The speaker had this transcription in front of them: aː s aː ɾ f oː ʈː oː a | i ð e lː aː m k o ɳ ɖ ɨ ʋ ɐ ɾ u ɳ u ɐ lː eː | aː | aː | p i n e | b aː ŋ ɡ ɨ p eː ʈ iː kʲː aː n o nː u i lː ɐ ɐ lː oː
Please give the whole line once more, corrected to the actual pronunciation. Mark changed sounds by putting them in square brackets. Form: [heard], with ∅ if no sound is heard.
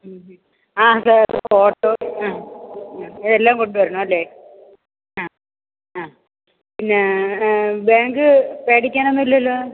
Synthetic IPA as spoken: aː s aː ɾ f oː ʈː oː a | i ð e lː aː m k o ɳ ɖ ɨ ʋ ɐ ɾ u ɳ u ɐ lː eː | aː | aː | p i [nː] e | b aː ŋ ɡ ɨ p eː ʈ [i] kʲː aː n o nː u i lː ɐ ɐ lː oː